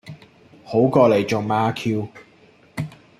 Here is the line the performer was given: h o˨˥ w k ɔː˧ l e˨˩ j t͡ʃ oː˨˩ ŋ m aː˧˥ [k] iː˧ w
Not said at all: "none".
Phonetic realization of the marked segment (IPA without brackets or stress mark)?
kʰ